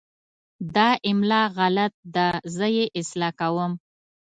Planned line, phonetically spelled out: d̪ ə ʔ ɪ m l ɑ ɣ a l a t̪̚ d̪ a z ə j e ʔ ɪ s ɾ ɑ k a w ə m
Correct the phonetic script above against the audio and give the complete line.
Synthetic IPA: d̪ ɑ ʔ ɪ m l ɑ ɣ a l a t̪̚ d̪ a z ə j e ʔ ɪ s l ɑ k a w ə m